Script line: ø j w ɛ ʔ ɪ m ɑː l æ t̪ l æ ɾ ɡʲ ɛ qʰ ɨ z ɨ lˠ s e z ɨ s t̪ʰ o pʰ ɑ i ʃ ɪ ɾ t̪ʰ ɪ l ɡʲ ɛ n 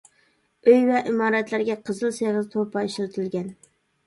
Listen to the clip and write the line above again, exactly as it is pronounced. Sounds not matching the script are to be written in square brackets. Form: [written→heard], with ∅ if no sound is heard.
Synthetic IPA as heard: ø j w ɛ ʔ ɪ m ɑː [l→ɾ] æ t̪ l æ ɾ ɡʲ ɛ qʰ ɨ z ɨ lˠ s e [z→ʁ] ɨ [s→z] t̪ʰ o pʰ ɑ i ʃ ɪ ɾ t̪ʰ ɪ l ɡʲ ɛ n